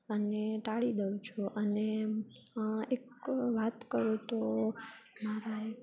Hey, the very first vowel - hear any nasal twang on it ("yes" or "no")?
no